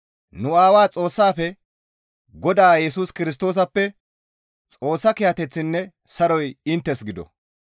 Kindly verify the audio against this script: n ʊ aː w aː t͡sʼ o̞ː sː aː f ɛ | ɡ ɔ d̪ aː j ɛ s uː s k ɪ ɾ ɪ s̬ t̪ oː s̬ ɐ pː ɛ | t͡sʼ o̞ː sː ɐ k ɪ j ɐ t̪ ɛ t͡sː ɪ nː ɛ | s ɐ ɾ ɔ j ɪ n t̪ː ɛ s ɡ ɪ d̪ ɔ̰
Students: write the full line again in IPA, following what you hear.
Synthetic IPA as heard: n ʊ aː w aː t͡sʼ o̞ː sː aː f ɛ | ɡ ɔ d̪ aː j ɛ s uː s k ɪ ɾ ɪ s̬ t̪ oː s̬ ɐ pː ɛ | t͡sʼ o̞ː sː ɐ k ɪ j ɐ t̪ ɛ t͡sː ɪ nː ɛ | s ɐ ɾ ɔ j ɪ n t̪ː ɛ s ɡ ɪ d̪ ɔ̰